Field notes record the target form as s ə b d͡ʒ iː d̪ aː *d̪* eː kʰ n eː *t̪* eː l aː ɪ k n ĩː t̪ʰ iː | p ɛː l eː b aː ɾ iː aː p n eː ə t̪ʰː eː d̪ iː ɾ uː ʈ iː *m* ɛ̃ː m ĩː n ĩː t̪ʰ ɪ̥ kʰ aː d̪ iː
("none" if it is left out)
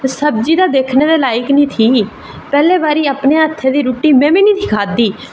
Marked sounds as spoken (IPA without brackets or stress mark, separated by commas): d̪, d̪, m